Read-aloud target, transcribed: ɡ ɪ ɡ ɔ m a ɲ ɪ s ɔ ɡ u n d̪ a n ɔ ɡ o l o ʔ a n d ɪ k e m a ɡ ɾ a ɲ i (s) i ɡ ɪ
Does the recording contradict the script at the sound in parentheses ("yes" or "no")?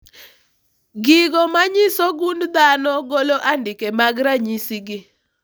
no